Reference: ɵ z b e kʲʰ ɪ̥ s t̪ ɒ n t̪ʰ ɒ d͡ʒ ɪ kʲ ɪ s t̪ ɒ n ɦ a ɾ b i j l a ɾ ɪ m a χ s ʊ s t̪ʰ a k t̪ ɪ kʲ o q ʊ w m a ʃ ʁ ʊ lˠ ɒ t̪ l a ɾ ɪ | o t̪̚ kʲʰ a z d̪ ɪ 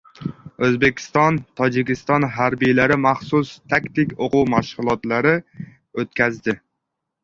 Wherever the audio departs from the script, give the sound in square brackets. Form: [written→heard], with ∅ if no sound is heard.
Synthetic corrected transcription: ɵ z b e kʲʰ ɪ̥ s t̪ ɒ n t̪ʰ ɒ d͡ʒ ɪ kʲ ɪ s t̪ ɒ n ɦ a ɾ b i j l a ɾ ɪ m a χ s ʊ s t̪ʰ a k t̪ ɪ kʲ o q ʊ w m a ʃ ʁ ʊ lˠ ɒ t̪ l a ɾ ɪ | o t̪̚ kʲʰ a z d̪ ɪ